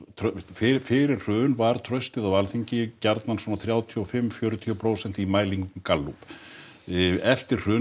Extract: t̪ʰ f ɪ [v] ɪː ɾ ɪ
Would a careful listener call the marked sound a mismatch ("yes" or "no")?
yes